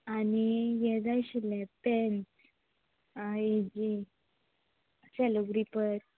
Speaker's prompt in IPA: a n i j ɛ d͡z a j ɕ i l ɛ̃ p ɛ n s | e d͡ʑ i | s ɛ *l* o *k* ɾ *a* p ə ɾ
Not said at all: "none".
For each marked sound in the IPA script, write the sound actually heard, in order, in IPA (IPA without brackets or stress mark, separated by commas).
l, ɡ, i